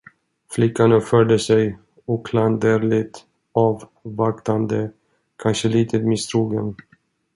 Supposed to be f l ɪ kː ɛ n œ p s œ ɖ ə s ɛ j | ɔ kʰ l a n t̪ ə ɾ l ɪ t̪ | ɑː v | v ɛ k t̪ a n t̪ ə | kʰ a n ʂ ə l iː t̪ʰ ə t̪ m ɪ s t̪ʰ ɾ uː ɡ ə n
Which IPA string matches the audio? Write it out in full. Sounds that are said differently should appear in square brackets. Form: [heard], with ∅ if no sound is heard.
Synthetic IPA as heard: f l ɪ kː [a] n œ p [f] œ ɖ ə s ɛ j | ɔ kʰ l a n [d̪] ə ɾ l ɪ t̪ | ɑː v | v [a] k t̪ a n [d̪] ə | kʰ a n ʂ ə l iː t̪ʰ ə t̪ m ɪ s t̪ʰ ɾ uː ɡ ə n